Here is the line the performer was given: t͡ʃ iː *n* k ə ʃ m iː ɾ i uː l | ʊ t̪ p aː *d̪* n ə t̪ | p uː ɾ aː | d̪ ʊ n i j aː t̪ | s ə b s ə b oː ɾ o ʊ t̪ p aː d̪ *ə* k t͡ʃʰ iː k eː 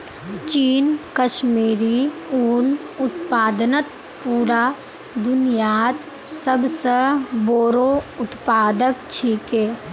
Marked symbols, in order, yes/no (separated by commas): yes, yes, yes